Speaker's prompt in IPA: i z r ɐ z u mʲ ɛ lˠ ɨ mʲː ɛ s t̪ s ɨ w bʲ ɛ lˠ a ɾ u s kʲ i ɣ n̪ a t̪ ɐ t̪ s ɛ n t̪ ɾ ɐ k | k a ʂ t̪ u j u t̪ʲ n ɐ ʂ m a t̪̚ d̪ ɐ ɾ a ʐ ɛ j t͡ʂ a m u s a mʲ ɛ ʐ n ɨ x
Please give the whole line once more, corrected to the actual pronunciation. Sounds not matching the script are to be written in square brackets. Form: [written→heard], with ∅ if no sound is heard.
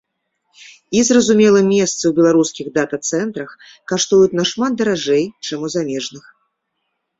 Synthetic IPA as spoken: i z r ɐ z u mʲ ɛ lˠ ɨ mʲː ɛ s t̪ s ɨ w bʲ ɛ lˠ a ɾ u s kʲ i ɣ [n̪→d̪] a t̪ ɐ t̪ s ɛ n t̪ ɾ ɐ [k→x] | k a ʂ t̪ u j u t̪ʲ n ɐ ʂ m a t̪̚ d̪ ɐ ɾ a ʐ ɛ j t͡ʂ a m u [s→z] a mʲ ɛ ʐ n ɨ x